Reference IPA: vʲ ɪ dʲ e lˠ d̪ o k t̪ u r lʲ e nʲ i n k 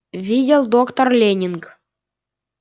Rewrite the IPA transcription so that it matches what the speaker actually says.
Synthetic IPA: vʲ i dʲ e lˠ d̪ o k t̪ o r lʲ e nʲ i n k